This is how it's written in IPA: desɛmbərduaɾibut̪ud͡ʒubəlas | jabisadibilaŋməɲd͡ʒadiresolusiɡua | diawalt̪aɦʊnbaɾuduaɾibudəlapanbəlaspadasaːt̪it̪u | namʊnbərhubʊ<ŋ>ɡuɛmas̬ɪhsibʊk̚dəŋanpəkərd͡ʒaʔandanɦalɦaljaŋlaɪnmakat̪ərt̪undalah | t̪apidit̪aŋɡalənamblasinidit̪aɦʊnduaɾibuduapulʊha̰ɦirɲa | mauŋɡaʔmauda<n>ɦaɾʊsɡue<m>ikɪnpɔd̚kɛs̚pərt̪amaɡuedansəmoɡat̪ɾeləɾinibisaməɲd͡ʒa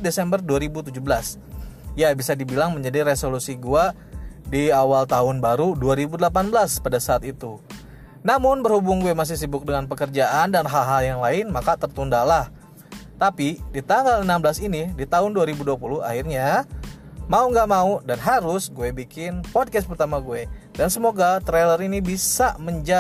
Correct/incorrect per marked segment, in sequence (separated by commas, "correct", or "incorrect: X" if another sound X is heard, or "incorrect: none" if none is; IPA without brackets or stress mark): correct, correct, incorrect: b